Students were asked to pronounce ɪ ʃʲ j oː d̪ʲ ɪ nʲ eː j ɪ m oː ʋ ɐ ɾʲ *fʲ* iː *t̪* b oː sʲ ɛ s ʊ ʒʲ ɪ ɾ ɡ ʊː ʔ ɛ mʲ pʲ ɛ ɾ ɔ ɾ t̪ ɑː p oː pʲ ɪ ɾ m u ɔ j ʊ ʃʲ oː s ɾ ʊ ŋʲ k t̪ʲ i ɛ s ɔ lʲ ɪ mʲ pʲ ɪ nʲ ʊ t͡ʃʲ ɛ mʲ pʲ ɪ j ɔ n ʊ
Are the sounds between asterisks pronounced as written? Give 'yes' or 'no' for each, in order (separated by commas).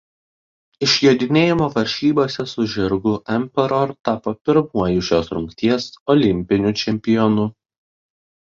no, no